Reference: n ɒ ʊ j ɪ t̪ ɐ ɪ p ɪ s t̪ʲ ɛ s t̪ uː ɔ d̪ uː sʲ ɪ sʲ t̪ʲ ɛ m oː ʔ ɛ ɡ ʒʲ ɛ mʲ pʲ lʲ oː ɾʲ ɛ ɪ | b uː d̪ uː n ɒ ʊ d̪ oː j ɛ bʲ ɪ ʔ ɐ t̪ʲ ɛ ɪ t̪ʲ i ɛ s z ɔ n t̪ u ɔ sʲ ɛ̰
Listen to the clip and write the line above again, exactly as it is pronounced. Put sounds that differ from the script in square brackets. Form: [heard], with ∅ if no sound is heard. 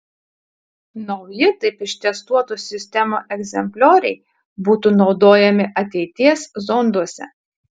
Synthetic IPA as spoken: n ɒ ʊ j ɪ t̪ ɐ ɪ p ɪ [ʃ] t̪ʲ ɛ s t̪ [u] ɔ [t̪] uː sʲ ɪ sʲ t̪ʲ ɛ m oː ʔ ɛ ɡ [zʲ] ɛ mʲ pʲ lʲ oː ɾʲ ɛ ɪ | b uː [t̪] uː n ɒ ʊ d̪ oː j ɛ [mʲ] ɪ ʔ ɐ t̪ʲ ɛ ɪ t̪ʲ i ɛ s z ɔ n [d̪] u ɔ sʲ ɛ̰